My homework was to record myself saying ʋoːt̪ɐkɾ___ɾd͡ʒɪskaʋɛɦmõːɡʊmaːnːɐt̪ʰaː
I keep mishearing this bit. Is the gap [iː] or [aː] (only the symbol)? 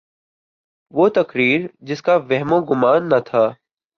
iː